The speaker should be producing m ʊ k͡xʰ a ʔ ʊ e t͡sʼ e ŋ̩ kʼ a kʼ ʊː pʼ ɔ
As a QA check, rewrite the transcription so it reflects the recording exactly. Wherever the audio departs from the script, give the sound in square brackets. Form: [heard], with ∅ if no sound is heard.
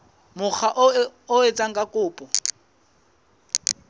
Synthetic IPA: m ʊ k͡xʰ a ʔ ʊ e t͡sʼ [a] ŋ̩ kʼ a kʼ ʊː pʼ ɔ